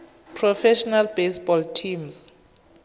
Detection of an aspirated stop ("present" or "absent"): present